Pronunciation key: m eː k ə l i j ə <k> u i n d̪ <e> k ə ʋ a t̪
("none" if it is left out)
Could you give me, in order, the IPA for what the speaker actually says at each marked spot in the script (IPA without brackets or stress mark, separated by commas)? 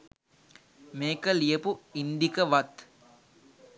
p, i